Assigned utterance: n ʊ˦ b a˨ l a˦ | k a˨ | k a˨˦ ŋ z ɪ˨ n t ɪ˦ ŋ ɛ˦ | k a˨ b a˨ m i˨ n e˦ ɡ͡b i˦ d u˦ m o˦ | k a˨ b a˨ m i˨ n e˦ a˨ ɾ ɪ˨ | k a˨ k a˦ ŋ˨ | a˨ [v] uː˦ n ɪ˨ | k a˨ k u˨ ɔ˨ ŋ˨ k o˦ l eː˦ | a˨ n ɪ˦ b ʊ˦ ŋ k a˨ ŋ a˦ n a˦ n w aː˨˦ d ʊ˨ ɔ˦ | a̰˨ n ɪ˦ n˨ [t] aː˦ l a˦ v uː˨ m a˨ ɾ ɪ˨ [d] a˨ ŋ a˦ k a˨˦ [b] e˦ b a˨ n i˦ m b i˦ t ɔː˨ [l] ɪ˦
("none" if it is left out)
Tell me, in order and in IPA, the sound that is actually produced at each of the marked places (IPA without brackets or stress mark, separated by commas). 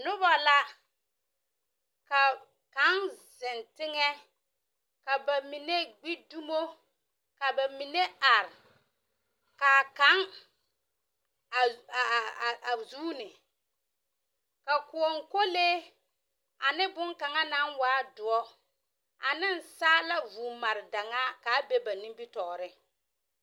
z, s, d, b, ɾ